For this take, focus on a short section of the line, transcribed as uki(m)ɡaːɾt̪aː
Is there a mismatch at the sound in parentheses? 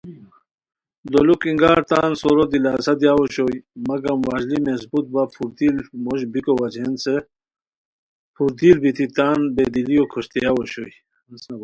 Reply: yes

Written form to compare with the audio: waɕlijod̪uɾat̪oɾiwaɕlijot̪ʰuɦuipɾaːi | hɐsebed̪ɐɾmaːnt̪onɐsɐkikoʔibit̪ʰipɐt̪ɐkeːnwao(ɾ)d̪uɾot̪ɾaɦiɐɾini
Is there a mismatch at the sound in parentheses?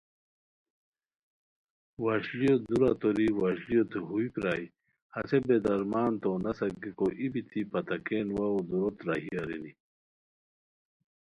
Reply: yes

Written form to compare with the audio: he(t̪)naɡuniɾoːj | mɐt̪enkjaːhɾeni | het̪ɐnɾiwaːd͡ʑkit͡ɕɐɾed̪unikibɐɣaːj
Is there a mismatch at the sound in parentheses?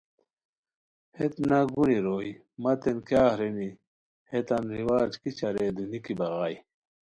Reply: no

